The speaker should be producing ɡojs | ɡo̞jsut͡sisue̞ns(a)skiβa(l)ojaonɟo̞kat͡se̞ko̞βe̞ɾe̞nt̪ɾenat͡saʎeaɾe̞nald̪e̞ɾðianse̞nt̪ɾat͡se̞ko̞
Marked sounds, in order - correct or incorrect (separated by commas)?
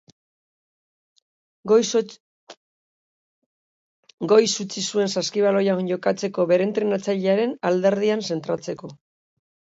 correct, correct